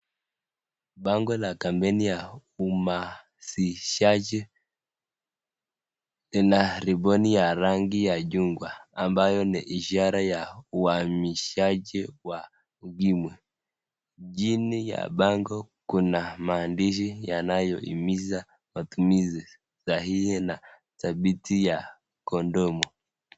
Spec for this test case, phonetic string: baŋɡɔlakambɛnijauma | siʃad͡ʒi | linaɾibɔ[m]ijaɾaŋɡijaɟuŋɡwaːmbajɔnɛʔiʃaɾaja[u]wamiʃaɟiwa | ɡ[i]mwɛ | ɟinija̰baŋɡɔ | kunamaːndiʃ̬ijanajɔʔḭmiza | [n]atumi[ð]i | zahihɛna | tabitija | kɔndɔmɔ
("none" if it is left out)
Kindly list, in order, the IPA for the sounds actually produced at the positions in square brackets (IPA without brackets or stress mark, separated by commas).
n, u, i, m, z